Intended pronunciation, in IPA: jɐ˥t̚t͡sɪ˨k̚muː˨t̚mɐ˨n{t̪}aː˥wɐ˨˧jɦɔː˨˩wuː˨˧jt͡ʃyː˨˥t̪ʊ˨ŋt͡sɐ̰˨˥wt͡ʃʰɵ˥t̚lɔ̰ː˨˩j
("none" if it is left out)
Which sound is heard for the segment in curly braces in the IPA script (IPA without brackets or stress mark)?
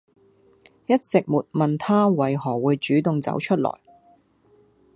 t̪ʰ